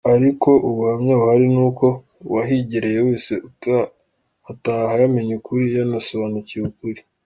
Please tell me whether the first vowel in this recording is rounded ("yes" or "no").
no